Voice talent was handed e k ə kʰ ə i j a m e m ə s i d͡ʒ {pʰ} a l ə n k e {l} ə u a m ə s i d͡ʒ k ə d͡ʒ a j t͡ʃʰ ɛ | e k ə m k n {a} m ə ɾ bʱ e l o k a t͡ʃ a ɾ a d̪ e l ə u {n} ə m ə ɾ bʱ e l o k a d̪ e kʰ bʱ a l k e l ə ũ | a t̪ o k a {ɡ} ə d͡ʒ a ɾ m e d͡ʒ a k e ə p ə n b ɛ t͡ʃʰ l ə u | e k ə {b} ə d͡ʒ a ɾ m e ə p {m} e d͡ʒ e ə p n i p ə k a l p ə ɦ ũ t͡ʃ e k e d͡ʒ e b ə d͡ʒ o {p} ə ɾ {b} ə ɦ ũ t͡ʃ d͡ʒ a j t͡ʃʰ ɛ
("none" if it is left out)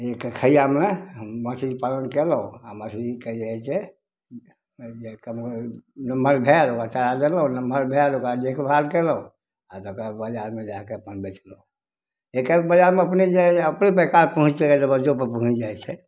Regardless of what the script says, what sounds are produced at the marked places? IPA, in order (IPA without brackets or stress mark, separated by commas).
p, l, ə, n, b, b, n, p, p